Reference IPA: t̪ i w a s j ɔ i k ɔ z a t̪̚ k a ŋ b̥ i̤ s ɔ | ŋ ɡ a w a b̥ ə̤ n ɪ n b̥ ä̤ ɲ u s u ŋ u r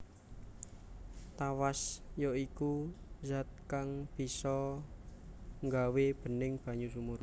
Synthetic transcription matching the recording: t̪ a w a s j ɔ i k u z a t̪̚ k a ŋ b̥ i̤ s ɔ | ŋ ɡ a w e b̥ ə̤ n ɪ ŋ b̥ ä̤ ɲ u s u m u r